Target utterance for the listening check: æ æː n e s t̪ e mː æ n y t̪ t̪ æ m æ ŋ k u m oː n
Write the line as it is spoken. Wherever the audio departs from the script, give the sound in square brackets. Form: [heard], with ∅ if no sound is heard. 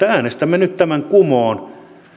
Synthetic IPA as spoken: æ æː n e s t̪ [æ] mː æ n y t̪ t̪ æ m æ ŋ k u m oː n